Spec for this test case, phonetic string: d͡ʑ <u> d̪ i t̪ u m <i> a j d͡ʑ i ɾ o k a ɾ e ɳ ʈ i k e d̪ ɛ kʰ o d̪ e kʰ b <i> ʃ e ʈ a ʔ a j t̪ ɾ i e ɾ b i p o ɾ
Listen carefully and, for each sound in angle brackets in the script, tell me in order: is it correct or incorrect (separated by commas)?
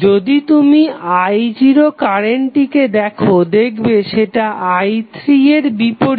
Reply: incorrect, correct, incorrect